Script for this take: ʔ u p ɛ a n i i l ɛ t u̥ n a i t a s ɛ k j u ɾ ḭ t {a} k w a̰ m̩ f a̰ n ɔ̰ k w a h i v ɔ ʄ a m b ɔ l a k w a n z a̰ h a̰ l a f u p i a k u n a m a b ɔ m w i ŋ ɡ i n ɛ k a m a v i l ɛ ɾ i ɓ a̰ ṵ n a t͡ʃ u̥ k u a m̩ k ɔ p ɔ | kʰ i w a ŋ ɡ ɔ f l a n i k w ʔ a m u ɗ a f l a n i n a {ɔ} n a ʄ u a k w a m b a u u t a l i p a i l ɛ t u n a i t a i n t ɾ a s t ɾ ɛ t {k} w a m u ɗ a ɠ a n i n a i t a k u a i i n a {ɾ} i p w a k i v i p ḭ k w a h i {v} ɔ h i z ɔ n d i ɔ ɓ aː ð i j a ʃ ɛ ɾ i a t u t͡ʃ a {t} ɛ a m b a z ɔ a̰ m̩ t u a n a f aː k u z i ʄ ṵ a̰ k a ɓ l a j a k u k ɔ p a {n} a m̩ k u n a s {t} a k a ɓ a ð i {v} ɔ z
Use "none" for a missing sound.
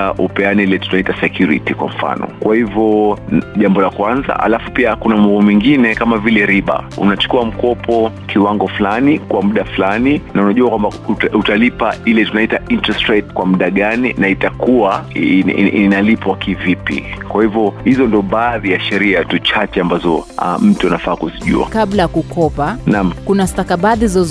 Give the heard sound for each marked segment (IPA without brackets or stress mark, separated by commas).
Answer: i, u, k, l, v, t͡ʃ, n, t, z